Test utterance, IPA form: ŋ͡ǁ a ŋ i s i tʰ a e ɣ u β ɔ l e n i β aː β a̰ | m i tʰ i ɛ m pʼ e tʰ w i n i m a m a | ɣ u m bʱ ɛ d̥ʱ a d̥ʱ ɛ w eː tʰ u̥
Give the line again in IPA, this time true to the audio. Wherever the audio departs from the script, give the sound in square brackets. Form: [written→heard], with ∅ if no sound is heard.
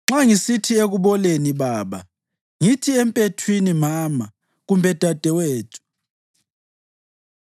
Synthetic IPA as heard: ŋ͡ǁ a ŋ i s i tʰ [a→i] e ɣ u β ɔ l e n i β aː β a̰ | [m→ŋ] i tʰ i ɛ m pʼ e tʰ w i n i m a m a | ɣ u m bʱ ɛ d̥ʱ a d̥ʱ ɛ w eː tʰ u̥